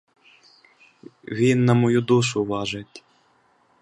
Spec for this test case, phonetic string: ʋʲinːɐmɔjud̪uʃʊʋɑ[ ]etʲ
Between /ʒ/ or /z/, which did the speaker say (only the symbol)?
ʒ